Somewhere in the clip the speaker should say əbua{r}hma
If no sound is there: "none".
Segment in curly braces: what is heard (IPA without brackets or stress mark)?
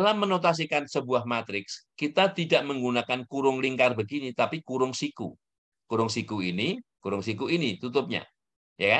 none